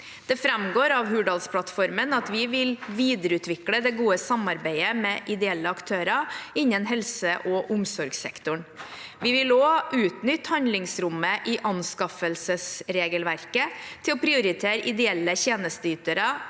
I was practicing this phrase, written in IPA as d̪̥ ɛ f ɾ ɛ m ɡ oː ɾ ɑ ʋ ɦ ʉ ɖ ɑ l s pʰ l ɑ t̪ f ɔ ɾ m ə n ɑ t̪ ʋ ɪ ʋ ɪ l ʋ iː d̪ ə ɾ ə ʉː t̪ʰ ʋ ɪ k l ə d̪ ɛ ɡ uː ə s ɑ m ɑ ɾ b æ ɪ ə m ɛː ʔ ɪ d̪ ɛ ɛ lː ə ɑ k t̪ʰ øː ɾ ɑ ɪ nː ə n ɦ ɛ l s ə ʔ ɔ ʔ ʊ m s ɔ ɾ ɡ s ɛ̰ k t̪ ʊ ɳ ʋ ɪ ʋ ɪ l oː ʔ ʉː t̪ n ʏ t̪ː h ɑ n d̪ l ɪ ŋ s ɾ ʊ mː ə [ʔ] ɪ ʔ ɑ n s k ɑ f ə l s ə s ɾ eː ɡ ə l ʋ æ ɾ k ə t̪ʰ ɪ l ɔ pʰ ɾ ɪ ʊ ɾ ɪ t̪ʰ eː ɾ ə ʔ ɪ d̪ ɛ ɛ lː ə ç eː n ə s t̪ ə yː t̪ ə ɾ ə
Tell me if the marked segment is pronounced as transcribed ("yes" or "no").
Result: yes